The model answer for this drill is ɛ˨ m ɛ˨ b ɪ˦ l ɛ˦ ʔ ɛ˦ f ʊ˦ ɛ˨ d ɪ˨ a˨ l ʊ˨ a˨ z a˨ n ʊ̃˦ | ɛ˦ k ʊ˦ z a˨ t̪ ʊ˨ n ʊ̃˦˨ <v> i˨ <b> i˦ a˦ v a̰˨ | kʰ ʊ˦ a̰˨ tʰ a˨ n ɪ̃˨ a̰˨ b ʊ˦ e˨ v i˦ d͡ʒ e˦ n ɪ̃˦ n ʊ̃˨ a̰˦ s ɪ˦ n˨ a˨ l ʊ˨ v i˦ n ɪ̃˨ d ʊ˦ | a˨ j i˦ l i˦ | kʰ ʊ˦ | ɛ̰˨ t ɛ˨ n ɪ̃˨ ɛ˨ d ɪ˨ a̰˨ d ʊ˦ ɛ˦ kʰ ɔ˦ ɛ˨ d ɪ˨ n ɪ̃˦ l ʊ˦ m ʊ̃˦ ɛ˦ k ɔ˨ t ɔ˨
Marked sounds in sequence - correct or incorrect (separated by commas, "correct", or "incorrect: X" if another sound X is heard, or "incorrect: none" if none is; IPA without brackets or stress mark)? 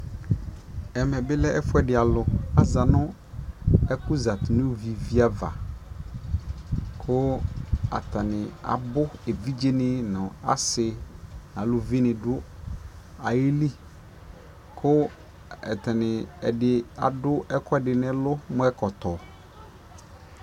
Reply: correct, incorrect: v